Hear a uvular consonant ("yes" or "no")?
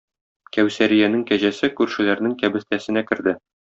no